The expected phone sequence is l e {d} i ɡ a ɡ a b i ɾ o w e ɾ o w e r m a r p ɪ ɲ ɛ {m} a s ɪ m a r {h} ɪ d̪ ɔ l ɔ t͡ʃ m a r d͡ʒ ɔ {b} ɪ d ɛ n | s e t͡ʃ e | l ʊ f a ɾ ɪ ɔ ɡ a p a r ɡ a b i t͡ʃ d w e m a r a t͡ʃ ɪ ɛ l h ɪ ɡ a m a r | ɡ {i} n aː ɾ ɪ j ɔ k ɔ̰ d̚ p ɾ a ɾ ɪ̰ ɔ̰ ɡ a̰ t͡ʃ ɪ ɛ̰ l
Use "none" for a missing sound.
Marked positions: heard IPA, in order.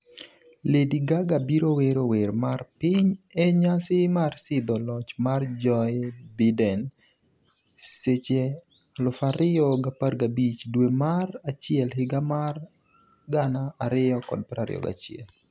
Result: d, ɲ, s, b, a

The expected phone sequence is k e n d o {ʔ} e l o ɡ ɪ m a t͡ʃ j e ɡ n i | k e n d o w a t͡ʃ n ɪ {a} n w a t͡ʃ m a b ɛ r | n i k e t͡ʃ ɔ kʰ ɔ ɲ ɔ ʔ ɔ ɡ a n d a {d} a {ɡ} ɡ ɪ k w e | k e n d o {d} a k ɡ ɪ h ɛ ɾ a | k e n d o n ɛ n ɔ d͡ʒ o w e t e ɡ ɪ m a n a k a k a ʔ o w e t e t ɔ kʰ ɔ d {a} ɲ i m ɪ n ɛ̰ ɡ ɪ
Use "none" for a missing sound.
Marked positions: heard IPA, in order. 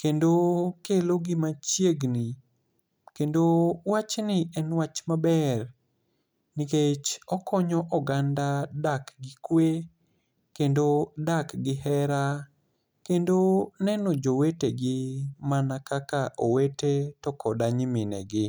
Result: k, ɛ, d, k, d, a

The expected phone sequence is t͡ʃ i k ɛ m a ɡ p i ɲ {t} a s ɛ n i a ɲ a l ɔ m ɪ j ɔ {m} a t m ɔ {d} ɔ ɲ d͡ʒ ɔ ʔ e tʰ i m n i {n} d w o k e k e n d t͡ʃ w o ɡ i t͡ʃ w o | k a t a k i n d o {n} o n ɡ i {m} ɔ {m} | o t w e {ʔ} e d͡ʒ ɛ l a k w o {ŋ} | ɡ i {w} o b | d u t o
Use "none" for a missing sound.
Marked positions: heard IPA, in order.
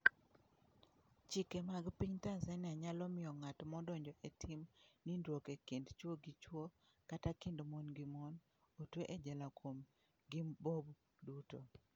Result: t, ŋ, d, n, m, m, n, ʔ, m, b

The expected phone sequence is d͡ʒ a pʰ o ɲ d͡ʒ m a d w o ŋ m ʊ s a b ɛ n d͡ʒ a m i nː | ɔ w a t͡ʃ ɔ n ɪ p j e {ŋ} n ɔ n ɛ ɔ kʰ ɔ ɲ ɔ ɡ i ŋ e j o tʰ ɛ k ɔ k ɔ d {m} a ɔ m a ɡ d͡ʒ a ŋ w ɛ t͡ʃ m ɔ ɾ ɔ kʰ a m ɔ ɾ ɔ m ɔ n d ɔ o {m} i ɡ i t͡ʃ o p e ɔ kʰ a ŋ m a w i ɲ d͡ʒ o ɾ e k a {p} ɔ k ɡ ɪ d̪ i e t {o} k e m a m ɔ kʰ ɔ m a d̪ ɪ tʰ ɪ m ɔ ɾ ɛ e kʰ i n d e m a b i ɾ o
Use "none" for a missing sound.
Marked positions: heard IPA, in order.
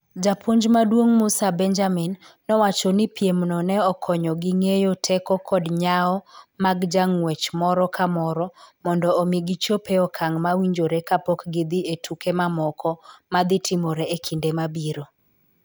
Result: m, ɲ, m, p, u

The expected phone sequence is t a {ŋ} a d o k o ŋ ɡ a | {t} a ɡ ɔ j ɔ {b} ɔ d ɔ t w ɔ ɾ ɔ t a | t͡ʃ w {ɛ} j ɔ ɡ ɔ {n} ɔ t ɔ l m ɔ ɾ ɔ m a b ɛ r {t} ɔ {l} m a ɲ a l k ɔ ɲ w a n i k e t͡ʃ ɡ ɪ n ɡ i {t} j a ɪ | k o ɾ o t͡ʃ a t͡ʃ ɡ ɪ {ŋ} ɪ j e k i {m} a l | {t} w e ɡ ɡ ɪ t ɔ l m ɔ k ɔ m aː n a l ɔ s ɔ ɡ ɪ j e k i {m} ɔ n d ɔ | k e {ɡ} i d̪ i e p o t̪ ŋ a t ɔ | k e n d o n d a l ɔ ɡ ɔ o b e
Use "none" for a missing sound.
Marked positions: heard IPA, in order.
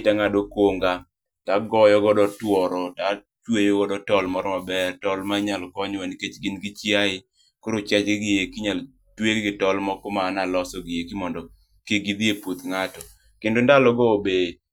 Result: ŋ, t, ɡ, e, d, t, l, t͡ʃ, ɡ, ɲ, t, m, ɡ

